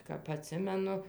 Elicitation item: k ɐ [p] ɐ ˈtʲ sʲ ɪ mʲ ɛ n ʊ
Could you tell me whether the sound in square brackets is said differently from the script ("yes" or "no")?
no